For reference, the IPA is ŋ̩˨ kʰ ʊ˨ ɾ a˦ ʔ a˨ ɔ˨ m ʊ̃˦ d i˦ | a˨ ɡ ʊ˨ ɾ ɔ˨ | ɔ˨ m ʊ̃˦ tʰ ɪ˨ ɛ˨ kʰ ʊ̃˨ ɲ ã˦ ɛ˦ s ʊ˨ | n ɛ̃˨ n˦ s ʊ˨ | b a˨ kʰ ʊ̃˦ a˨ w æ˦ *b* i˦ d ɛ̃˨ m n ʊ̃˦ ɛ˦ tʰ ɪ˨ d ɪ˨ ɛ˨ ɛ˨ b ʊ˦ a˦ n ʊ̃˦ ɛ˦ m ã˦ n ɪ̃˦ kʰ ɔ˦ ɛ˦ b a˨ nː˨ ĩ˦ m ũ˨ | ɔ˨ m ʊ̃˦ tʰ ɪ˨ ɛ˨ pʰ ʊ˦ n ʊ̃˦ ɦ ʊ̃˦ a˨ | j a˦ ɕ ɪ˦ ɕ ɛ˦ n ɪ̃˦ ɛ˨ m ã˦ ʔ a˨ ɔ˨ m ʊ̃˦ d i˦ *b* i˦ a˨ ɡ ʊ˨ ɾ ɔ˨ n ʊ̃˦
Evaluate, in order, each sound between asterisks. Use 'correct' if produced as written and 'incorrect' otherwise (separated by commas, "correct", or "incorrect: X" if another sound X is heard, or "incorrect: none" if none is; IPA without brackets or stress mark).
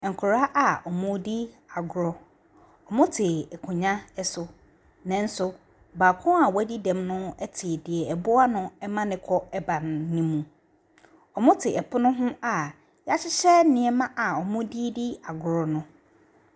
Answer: incorrect: d, incorrect: d